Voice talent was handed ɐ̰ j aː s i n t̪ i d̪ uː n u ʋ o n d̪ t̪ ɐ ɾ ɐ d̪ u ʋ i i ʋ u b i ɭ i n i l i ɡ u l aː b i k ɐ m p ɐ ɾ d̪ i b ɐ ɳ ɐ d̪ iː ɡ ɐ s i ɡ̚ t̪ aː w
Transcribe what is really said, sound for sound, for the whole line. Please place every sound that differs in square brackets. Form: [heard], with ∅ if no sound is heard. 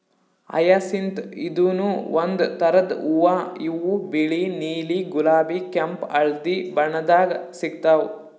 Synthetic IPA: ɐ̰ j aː s i n t̪ i d̪ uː n u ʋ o n d̪ t̪ ɐ ɾ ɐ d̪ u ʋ [a] i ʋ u b i ɭ i n [iː] l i ɡ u l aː b i k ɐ m p ɐ [ɭ] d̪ i b ɐ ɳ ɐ d̪ [aː] ɡ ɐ s i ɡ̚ t̪ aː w